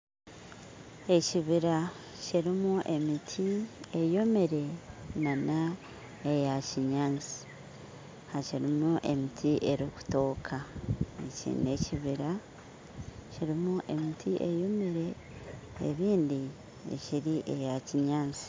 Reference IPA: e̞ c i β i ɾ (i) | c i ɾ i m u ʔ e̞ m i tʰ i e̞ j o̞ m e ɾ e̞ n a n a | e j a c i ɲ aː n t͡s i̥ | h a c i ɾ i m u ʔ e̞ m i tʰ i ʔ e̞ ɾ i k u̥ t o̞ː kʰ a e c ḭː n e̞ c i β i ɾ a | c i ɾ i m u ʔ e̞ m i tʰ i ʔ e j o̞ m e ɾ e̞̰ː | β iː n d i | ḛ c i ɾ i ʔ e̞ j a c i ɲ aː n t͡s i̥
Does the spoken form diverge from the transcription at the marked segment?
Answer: yes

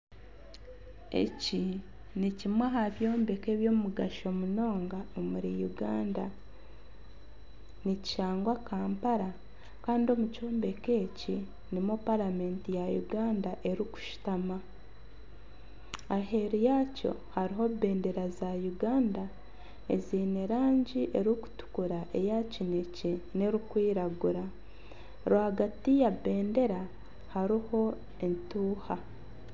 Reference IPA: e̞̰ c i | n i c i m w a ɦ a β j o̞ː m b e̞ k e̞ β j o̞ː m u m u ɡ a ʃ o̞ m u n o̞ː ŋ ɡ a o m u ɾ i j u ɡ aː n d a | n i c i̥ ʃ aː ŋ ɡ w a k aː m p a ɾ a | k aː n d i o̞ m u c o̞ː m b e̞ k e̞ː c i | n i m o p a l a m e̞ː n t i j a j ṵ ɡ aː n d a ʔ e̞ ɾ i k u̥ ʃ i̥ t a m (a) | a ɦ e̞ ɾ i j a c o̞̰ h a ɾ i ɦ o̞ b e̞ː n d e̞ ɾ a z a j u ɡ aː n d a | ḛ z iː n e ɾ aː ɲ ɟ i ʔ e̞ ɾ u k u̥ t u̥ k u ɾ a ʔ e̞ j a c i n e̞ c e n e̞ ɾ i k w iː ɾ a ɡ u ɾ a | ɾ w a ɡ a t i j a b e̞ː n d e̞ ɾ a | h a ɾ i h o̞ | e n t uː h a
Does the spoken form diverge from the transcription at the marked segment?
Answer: no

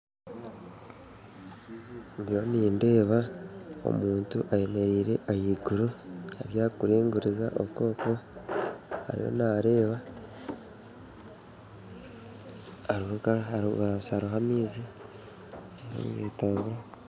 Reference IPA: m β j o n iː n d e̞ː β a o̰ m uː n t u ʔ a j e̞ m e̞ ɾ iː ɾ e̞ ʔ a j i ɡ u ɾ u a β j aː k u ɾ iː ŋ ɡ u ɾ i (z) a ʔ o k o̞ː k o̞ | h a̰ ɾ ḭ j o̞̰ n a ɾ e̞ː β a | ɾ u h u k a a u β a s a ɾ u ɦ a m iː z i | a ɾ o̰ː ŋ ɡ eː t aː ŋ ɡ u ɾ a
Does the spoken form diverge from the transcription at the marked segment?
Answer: no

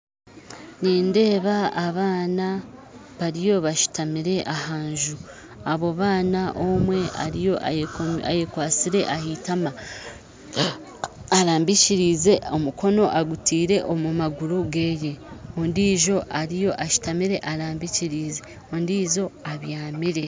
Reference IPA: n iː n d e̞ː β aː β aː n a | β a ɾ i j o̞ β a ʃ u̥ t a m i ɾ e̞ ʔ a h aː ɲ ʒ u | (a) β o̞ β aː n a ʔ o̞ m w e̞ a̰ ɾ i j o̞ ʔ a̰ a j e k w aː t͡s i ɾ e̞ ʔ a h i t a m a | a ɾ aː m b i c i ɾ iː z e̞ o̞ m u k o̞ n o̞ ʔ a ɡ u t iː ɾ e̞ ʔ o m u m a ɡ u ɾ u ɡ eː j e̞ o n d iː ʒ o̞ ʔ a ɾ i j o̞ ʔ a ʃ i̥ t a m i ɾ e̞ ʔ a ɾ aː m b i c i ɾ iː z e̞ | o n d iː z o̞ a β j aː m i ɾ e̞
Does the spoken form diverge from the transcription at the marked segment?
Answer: no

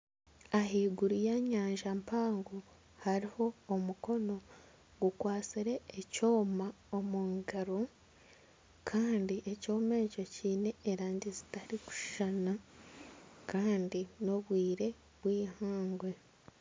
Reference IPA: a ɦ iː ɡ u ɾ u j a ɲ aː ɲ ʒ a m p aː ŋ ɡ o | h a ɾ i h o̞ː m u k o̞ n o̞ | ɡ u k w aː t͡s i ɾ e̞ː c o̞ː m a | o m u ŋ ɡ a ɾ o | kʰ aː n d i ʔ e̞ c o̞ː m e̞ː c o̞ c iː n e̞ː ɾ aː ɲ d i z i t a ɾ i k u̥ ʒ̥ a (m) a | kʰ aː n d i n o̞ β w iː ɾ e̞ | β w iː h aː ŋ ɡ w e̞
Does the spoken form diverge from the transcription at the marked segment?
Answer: yes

